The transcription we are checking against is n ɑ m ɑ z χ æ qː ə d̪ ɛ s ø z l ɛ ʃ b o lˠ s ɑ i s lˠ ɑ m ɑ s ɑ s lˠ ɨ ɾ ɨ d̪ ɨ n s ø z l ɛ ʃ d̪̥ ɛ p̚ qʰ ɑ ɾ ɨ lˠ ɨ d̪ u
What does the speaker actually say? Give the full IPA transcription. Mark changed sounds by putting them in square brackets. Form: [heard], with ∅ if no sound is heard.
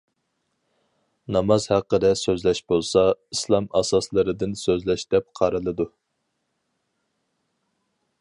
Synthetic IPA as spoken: n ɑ m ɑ z [h] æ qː ə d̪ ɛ s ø z l ɛ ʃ b o lˠ s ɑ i s lˠ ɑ m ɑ s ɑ s lˠ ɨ ɾ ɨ d̪ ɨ n s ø z l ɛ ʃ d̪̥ ɛ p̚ qʰ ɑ ɾ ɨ lˠ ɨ d̪ u